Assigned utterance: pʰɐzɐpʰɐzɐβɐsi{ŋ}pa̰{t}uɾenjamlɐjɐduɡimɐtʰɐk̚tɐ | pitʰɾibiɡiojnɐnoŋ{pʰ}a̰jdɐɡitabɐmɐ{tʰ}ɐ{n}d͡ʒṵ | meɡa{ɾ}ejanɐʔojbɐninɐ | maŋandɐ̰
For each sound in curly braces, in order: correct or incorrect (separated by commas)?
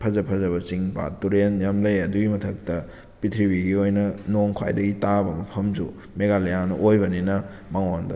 correct, correct, incorrect, incorrect, incorrect, incorrect